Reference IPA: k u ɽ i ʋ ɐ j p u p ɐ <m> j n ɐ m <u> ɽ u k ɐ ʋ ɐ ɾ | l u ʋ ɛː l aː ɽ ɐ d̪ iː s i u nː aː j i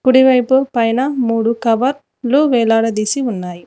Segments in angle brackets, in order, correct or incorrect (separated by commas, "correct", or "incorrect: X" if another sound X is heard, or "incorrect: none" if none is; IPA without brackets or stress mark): incorrect: none, incorrect: uː